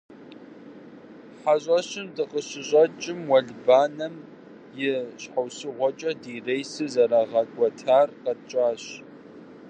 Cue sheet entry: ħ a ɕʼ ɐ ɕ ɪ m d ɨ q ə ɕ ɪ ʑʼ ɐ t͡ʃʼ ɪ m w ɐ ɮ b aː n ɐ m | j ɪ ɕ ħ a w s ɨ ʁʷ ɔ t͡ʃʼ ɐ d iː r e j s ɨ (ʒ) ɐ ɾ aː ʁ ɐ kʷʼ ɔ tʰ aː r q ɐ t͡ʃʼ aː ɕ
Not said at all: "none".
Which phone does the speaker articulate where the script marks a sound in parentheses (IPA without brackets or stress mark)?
z